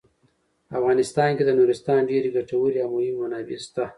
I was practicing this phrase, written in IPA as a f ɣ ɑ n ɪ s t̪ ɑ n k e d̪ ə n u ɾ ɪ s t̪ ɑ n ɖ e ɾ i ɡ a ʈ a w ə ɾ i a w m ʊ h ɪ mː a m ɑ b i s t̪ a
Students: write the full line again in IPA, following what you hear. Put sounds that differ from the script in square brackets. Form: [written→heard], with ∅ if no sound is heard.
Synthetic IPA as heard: a f ɣ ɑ n ɪ s t̪ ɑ n k e d̪ ə n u ɾ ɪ s t̪ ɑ n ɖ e ɾ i ɡ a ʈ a w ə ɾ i a w m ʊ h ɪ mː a [m→n] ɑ b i s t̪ a